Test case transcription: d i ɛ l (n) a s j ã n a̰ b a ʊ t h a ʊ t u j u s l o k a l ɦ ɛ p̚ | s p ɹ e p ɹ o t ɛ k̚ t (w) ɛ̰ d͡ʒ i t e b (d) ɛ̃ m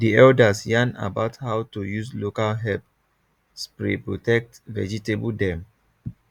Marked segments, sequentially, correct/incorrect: incorrect: d, incorrect: v, correct

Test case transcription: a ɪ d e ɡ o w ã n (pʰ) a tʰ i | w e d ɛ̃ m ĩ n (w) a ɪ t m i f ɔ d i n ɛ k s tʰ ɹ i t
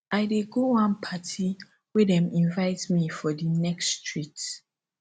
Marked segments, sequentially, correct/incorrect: correct, incorrect: v

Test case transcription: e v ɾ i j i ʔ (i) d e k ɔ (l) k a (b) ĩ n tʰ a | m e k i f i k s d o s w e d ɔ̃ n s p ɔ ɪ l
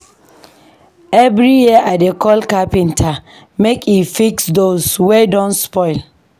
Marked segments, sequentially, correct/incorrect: incorrect: a, correct, incorrect: p

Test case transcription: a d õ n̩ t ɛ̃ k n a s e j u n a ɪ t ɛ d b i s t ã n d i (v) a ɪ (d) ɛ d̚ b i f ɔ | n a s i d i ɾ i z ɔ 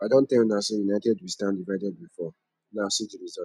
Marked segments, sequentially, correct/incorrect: correct, correct

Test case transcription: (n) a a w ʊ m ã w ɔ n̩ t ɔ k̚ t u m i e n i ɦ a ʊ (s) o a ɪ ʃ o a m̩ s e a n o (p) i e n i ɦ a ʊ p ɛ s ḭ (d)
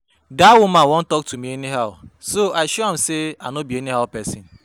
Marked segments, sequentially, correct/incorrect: incorrect: d, correct, incorrect: b, incorrect: n

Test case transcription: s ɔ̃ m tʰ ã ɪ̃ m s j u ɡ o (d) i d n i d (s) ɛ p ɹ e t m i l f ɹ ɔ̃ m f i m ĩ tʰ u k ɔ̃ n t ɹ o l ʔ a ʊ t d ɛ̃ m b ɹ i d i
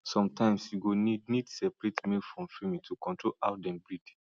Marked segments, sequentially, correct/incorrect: incorrect: n, correct

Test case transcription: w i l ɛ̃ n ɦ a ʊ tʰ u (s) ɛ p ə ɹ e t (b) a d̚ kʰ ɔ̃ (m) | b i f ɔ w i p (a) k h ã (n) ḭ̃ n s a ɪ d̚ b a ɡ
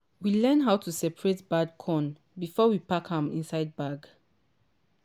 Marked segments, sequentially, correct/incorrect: correct, correct, incorrect: n, correct, incorrect: m

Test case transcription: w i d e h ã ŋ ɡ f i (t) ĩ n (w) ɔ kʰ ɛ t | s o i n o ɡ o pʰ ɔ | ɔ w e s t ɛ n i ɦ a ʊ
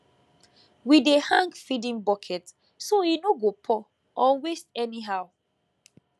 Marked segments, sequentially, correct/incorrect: incorrect: d, incorrect: b

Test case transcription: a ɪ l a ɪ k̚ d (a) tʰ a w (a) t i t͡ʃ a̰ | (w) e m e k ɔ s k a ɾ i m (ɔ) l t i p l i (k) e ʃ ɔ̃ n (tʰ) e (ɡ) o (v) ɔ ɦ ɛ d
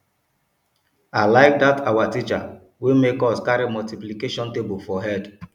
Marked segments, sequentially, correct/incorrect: correct, correct, correct, correct, correct, incorrect: t, incorrect: b, incorrect: f

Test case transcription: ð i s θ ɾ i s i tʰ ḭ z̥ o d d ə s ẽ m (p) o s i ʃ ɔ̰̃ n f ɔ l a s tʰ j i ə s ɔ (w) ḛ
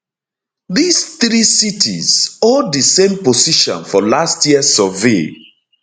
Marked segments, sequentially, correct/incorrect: correct, incorrect: v

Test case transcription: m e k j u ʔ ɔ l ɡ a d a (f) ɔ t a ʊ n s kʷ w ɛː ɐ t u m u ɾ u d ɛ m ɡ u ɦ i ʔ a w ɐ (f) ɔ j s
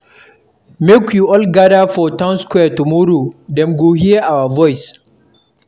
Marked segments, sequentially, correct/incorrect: correct, incorrect: v

